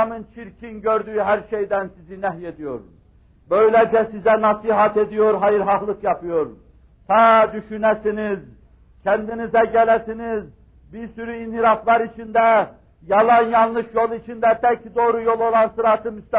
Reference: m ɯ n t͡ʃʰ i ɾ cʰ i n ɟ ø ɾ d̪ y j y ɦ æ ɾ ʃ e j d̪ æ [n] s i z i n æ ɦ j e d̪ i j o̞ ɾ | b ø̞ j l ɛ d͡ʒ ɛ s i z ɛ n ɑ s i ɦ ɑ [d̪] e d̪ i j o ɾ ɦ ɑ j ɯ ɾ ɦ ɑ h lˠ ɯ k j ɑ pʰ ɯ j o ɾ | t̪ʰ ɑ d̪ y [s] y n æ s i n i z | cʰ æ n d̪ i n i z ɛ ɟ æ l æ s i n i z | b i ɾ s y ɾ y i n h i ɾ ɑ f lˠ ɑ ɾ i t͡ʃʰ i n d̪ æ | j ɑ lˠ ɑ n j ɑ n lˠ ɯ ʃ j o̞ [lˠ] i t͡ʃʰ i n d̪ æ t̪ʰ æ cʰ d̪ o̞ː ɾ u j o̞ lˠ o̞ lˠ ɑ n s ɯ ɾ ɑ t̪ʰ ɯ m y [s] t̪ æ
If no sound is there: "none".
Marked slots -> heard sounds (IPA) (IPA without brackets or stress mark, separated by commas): n, t̪, ʃ, lˠ, s